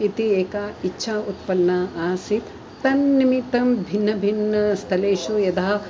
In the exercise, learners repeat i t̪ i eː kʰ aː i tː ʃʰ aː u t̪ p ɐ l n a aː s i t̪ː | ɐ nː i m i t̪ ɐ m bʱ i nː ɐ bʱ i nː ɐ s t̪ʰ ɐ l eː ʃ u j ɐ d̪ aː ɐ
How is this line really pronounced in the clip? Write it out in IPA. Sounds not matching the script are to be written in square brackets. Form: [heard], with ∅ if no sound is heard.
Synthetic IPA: i t̪ i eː [k] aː i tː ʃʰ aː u t̪ p ɐ l n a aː s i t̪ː | ɐ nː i m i t̪ ɐ m bʱ i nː ɐ bʱ i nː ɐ s t̪ʰ ɐ l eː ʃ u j ɐ d̪ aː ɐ